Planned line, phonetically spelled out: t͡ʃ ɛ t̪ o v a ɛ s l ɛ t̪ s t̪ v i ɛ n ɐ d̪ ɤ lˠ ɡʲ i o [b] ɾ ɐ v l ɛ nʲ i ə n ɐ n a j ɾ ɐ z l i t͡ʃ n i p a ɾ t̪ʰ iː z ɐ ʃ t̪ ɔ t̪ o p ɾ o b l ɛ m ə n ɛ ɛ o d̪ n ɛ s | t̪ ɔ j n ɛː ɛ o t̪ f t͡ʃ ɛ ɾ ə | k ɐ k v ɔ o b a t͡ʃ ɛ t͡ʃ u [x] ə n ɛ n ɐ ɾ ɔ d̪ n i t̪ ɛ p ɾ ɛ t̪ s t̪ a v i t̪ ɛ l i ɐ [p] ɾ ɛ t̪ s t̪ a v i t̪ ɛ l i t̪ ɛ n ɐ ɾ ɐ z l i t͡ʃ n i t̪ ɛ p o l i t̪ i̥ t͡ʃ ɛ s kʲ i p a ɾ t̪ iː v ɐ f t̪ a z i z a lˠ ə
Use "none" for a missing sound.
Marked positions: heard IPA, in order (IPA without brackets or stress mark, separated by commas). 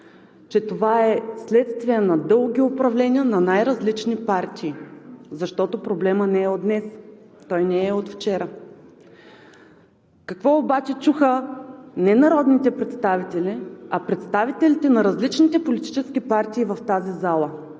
p, x, p